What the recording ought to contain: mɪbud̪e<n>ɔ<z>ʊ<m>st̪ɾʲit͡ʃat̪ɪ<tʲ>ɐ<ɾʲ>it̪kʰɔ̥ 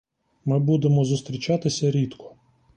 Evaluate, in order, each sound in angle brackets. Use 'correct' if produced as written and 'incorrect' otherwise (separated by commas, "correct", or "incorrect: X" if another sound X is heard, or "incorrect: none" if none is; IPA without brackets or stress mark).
incorrect: m, correct, incorrect: none, incorrect: sʲ, correct